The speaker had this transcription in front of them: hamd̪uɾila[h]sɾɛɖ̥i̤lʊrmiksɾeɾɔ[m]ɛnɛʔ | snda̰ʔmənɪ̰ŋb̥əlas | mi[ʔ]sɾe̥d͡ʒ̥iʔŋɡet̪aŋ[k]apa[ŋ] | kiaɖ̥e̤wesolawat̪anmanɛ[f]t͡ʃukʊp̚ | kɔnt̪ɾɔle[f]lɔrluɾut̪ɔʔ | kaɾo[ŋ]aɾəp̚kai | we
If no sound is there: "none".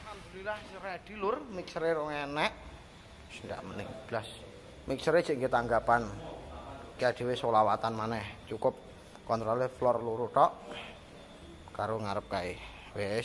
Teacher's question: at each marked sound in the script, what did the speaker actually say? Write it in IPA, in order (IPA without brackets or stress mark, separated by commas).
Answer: h, ŋ, k, ɡ, n, h, f, ŋ